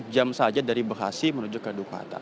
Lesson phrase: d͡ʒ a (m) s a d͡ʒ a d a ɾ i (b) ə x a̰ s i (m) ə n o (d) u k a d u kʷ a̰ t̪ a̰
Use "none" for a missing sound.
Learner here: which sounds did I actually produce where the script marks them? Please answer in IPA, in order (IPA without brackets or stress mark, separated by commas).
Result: m, b, m, d͡ʒ